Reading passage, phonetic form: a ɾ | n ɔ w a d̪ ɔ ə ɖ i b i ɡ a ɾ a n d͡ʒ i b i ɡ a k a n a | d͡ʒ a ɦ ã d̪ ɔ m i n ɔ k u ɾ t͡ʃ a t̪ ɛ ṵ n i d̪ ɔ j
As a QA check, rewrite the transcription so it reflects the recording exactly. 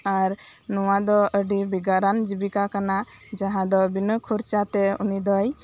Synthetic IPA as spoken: a ɾ | n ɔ w a d̪ ɔ ə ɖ i b i ɡ a ɾ a n d͡ʒ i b i k a k a n a | d͡ʒ a ɦ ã d̪ ɔ b i n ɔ kʰ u ɾ t͡ʃ a t̪ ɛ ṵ n i d̪ ɔ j

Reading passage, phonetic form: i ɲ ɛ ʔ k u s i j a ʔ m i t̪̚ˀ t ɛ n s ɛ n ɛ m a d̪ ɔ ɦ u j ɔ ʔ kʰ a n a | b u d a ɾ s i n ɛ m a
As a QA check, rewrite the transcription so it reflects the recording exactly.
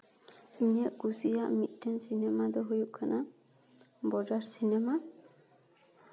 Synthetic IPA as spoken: i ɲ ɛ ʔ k u s i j a ʔ m i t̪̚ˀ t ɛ n s i n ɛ m a d̪ ɔ ɦ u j u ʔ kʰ a n a | b ɔ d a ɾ s i n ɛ m a

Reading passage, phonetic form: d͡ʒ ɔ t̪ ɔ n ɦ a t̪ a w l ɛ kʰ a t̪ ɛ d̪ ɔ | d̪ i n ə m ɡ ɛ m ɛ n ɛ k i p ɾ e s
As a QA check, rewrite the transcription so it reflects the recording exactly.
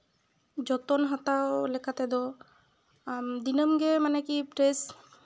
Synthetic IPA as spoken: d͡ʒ ɔ t̪ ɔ n ɦ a t̪ a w l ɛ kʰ a t̪ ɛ d̪ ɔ | d̪ i n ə m ɡ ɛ m a n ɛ k i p ɾ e s

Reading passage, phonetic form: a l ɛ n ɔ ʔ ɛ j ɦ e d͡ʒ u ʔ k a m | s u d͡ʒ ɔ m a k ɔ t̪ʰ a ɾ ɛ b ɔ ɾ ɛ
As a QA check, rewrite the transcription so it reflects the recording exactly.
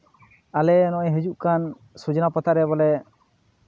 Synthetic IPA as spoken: a l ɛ n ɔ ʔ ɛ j ɦ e d͡ʒ u ʔ k a n | s u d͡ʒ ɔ n a p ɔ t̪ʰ a ɾ ɛ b ɔ l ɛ

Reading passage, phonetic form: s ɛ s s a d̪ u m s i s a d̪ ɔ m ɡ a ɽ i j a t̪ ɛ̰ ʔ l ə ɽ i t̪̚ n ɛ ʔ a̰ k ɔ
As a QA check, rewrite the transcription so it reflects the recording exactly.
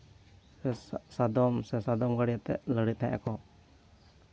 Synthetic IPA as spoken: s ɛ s s a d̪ ɔ m s ɛ s a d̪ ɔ m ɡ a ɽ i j a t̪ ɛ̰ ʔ l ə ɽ i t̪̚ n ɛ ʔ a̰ k ɔ

